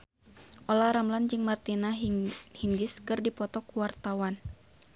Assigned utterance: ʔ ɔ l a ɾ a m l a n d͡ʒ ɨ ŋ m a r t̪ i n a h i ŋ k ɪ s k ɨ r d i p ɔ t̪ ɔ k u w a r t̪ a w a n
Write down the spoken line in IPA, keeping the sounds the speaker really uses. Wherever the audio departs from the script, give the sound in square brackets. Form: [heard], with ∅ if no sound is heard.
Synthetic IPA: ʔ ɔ l a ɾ a m l a n d͡ʒ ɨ ŋ m a r t̪ i n a h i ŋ [ɡ] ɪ s k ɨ r d i p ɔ t̪ ɔ k u w a r t̪ a w a n